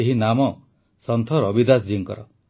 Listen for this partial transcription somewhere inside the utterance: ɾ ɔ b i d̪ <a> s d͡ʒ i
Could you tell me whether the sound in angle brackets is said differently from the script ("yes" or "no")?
no